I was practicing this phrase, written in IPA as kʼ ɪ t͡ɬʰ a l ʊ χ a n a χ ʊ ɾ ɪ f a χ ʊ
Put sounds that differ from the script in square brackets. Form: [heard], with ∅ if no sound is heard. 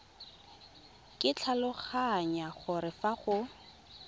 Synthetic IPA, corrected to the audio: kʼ ɪ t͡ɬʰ a l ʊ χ a [ɲ] a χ ʊ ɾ ɪ f a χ ʊ